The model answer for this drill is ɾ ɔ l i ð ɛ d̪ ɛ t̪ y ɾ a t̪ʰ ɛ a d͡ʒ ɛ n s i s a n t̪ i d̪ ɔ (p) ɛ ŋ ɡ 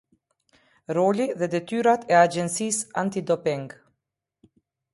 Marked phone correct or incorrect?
correct